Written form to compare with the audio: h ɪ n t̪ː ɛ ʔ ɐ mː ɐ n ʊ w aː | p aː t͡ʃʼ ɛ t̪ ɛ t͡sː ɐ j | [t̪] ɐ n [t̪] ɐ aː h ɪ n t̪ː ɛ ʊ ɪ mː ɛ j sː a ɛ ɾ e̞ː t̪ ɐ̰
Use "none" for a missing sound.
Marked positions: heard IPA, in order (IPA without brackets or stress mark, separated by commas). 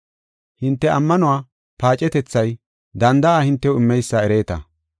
d̪, d̪